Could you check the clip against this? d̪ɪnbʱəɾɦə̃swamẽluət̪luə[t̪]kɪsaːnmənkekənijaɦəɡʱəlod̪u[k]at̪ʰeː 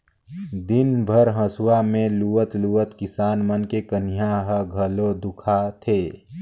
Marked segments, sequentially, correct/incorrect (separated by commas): correct, incorrect